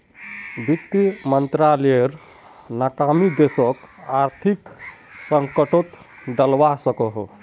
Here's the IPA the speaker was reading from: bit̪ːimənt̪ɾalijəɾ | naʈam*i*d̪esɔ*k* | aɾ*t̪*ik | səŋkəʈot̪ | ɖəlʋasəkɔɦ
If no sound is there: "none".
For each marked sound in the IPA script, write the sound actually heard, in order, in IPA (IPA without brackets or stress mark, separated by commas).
i, k, t̪ʰ